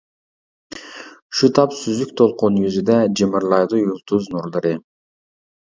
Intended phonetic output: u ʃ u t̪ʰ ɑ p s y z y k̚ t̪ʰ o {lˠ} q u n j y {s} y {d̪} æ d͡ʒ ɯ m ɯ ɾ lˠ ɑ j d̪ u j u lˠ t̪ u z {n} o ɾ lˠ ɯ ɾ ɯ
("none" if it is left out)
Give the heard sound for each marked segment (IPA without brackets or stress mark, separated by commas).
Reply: lˠ, z, d̪, n